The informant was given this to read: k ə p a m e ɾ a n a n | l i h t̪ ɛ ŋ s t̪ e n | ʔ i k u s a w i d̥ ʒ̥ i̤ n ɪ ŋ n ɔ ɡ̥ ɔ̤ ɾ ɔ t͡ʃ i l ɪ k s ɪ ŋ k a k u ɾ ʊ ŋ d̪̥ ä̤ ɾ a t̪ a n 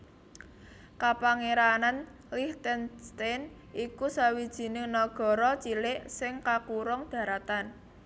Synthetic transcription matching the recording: k a p a ŋ e ɾ a n a n | l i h t̪ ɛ n s t̪ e n | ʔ i k u s a w i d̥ ʒ̥ i̤ n ɪ ŋ n ɔ ɡ̥ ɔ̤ ɾ ɔ t͡ʃ i l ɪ ʔ s ɪ ŋ k a k u ɾ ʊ ŋ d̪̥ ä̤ ɾ a t̪ a n